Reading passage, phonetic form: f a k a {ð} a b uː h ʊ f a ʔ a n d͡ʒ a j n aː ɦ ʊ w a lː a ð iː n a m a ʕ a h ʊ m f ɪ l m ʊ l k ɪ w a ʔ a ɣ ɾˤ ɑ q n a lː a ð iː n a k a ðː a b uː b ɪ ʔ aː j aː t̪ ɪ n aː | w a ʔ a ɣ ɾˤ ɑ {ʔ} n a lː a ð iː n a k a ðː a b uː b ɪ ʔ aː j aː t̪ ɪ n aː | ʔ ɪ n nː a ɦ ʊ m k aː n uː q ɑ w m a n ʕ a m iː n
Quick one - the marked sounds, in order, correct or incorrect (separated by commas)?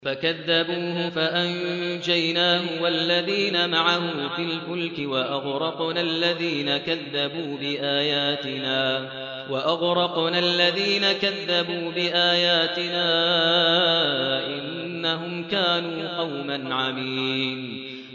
incorrect, incorrect